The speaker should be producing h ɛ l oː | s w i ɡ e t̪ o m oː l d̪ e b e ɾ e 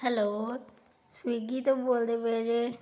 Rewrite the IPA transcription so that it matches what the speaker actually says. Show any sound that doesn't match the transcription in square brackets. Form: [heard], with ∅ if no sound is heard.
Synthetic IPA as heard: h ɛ l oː | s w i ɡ [i] t̪ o [b] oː l d̪ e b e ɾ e